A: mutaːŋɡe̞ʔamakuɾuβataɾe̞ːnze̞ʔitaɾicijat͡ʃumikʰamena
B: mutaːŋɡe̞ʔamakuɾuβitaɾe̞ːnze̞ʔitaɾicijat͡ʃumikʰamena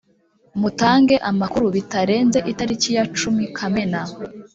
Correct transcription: B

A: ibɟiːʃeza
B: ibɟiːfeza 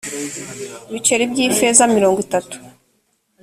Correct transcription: B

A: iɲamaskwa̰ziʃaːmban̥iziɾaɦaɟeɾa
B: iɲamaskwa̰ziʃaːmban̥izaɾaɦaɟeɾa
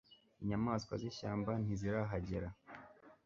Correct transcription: A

